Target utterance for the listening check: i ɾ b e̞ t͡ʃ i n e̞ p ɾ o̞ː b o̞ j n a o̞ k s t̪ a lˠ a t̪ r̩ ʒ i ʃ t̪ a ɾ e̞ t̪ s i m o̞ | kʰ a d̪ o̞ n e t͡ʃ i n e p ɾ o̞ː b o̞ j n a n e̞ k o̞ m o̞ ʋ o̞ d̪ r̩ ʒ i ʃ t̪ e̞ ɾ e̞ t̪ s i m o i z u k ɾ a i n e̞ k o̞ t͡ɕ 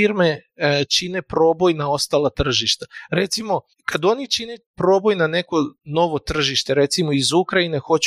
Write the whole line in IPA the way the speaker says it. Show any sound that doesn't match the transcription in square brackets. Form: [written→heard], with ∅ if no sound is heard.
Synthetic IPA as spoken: i ɾ [b→m] e̞ t͡ʃ i n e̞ p ɾ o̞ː b o̞ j n a o̞ [k→∅] s t̪ a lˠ a t̪ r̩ ʒ i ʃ t̪ a ɾ e̞ t̪ s i m o̞ | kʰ a d̪ o̞ n [e→i] t͡ʃ i n e p ɾ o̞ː b o̞ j n a n e̞ k o̞ [m→n] o̞ ʋ o̞ [d̪→t̪] r̩ ʒ i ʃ t̪ e̞ ɾ e̞ t̪ s i m o i z u k ɾ a i n e̞ [k→x] o̞ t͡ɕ